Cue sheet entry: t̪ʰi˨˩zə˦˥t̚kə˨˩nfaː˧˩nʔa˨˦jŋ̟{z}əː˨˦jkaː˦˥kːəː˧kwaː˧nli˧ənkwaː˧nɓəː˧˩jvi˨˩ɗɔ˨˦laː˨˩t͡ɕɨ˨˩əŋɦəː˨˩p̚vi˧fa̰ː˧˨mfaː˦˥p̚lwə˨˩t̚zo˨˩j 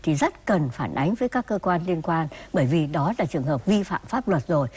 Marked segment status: incorrect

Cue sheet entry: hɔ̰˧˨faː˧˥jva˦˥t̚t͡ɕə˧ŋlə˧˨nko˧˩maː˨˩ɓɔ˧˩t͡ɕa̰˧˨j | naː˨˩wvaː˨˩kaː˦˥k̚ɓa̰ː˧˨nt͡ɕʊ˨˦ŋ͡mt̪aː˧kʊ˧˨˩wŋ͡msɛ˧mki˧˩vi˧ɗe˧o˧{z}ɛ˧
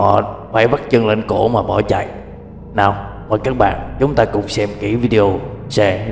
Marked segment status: incorrect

